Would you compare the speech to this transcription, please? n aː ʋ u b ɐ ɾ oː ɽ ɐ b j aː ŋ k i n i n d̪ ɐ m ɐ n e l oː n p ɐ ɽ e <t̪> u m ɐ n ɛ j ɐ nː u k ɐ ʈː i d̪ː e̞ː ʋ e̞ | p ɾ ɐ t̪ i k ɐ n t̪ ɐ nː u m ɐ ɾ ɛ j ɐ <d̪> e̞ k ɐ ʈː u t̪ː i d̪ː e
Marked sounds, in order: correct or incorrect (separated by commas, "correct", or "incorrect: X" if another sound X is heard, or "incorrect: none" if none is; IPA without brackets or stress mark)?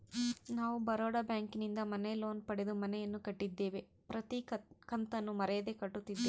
incorrect: d̪, correct